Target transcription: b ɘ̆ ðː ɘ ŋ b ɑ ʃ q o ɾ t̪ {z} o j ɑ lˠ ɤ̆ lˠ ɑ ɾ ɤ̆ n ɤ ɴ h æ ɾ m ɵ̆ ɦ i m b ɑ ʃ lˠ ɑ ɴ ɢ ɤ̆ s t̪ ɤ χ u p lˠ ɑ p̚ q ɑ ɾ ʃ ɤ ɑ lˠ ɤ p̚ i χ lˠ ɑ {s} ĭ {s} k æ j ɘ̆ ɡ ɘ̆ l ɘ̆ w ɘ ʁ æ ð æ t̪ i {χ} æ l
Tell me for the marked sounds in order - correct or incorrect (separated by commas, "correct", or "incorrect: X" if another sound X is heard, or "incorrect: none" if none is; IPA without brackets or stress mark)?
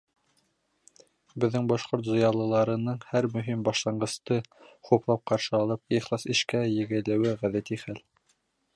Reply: correct, correct, incorrect: ʃ, correct